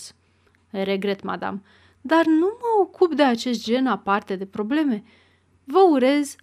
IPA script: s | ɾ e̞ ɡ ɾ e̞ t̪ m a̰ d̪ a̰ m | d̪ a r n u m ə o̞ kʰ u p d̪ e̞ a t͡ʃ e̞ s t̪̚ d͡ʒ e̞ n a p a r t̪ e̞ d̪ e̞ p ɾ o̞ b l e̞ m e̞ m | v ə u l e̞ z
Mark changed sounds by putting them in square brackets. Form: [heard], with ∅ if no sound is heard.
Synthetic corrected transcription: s | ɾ e̞ ɡ ɾ e̞ t̪ m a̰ d̪ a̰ m | d̪ a r n u m ə o̞ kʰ u p d̪ e̞ a t͡ʃ e̞ s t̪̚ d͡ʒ e̞ n a p a r t̪ e̞ d̪ e̞ p ɾ o̞ b l e̞ m e̞ [∅] | v ə u [ɾ] e̞ z